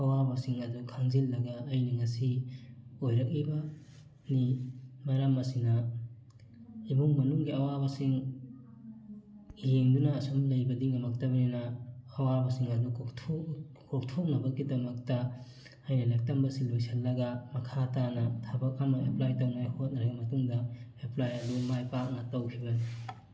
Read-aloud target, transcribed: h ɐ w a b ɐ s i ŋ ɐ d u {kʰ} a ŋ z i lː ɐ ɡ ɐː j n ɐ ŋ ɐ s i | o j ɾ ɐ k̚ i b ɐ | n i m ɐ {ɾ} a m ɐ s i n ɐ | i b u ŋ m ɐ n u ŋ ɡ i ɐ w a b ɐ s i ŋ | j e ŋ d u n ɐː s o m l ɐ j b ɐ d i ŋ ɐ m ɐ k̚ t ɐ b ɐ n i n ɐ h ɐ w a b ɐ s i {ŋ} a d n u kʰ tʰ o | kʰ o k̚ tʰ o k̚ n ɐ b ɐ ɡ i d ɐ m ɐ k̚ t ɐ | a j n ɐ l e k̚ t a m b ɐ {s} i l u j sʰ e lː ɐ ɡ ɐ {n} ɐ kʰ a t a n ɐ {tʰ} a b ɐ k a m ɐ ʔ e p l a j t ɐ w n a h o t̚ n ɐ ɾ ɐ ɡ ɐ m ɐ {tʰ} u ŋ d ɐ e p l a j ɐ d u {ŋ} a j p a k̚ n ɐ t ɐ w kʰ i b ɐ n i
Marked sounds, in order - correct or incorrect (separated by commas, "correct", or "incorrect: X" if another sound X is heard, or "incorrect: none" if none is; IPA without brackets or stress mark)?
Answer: correct, correct, correct, correct, incorrect: m, correct, incorrect: t, incorrect: m